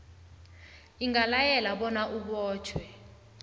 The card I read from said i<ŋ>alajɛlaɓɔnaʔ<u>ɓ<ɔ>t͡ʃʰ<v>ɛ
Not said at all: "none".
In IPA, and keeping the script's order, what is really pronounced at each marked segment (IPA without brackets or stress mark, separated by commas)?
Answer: ŋ, u, ɔː, w